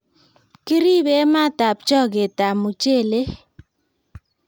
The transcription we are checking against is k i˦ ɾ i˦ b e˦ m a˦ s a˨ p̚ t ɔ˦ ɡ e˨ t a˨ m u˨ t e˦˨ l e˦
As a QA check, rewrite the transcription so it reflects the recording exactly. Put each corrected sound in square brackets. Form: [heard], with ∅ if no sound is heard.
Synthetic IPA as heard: k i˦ ɾ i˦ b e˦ m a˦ [t] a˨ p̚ [t͡ʃ] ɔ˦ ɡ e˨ t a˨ m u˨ [t͡ʃ] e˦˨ l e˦